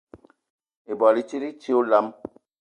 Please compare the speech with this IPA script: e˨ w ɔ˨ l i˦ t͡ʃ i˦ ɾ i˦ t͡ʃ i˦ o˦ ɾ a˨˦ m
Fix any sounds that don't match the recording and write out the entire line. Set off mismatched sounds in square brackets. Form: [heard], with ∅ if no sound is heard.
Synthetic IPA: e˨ [b] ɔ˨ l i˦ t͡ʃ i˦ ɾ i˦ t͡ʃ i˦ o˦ [l] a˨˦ m